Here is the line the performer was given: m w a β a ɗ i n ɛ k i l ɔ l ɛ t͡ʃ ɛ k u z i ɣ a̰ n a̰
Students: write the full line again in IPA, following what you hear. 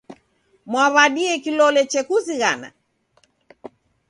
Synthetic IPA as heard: m w a β a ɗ i ɛ k i l ɔ l ɛ t͡ʃ ɛ k u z i ɣ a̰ n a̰